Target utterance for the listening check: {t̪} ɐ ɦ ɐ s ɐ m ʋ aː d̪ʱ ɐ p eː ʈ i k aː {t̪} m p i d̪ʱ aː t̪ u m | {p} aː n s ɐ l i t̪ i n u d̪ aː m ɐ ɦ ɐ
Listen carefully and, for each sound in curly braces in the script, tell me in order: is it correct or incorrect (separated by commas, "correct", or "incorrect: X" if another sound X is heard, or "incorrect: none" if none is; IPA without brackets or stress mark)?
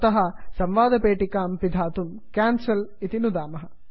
correct, incorrect: none, incorrect: k